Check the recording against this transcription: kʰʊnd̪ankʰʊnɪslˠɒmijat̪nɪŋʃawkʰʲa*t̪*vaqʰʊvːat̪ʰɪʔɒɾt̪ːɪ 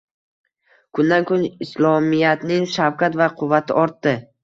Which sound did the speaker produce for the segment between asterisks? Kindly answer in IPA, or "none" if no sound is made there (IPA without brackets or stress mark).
t̪